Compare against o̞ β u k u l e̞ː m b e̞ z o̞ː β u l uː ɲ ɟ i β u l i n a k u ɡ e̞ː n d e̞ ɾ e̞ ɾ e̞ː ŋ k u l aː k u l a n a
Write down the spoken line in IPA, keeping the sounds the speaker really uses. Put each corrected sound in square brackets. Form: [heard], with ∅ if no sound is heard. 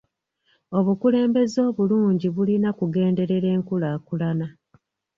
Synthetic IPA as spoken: o̞ β u k u l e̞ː m b e̞ z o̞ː β u l uː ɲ ɟ i β u l i n a k u ɡ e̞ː n d e̞ ɾ e̞ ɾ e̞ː ŋ k u l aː k u l a n a

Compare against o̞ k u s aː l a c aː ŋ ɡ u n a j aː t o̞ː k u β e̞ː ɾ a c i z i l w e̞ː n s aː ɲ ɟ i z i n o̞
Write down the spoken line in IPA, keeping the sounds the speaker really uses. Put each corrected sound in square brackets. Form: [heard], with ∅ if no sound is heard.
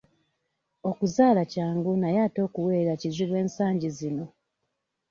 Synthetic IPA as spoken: o̞ k u [z] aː l a c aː ŋ ɡ u n a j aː t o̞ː k u [w] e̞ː ɾ a c i z i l w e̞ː n s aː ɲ ɟ i z i n o̞

